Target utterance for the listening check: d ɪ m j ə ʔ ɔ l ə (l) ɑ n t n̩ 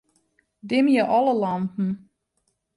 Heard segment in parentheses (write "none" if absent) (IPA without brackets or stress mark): l